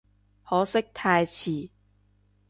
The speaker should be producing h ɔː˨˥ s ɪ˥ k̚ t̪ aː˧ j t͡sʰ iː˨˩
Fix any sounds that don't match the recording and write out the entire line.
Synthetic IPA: h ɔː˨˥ s ɪ˥ k̚ t̪ʰ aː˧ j t͡sʰ iː˨˩